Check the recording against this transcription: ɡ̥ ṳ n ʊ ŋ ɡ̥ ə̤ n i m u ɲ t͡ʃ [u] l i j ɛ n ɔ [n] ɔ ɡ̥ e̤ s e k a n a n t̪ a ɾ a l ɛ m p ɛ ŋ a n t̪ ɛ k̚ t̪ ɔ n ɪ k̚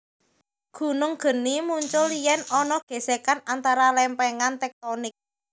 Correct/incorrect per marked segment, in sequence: incorrect: ʊ, correct

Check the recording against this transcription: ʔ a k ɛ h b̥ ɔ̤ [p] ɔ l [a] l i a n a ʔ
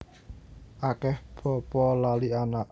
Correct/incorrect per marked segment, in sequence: correct, correct

